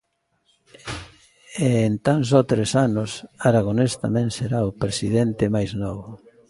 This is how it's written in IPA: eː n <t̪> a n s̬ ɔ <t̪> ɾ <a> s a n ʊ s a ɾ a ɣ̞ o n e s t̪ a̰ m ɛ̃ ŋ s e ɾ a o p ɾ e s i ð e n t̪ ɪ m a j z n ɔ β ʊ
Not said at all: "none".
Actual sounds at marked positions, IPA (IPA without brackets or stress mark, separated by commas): t̪, t̪, e